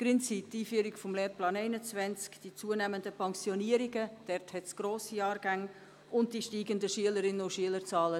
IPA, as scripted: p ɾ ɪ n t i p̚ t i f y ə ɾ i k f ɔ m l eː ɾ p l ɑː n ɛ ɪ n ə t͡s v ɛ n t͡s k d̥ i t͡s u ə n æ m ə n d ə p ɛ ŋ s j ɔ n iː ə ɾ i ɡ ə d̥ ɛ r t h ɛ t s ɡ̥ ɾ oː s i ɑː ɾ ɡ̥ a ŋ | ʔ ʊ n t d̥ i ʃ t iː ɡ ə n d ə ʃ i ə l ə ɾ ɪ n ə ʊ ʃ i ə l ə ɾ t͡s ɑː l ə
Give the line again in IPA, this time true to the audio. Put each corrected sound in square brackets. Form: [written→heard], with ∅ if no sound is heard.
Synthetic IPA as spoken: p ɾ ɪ n [t→t͡s] i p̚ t [i→iː] f y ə ɾ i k f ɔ m l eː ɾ p l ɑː n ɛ ɪ n ə t͡s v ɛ n t͡s k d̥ i t͡s u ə n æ m ə n d ə p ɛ ŋ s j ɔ n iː ə ɾ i ɡ ə d̥ ɛ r t h ɛ t s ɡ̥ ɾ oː s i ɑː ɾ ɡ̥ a ŋ | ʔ ʊ n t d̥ i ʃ t iː ɡ ə n d ə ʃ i ə l ə ɾ ɪ n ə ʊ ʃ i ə l ə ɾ t͡s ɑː l ə